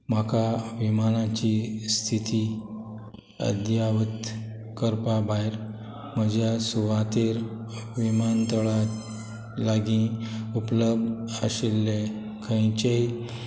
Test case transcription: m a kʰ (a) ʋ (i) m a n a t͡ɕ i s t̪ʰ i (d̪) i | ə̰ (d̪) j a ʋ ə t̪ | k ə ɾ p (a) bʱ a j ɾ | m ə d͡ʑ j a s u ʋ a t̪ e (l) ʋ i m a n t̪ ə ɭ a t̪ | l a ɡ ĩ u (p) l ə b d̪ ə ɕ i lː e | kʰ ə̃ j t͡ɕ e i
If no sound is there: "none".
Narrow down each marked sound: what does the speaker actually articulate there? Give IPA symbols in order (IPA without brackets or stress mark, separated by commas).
a, i, t̪, d̪, a, ɾ, p